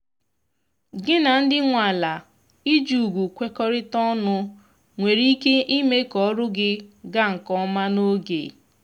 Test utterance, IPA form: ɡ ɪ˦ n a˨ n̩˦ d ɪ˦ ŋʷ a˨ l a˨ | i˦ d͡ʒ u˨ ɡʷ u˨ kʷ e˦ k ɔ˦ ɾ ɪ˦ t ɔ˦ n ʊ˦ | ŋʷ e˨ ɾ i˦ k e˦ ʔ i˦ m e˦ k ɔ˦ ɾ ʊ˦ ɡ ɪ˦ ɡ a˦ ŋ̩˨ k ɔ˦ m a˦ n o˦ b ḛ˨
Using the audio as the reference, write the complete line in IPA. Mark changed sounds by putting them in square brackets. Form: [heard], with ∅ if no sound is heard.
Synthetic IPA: ɡ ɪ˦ n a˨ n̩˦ d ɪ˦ ŋʷ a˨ l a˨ | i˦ d͡ʒ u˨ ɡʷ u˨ kʷ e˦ k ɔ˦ ɾ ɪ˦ t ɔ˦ n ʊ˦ | ŋʷ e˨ ɾ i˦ k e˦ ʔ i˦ m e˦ k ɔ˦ ɾ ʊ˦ ɡ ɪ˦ ɡ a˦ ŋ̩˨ k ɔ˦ m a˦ n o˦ [ɡ] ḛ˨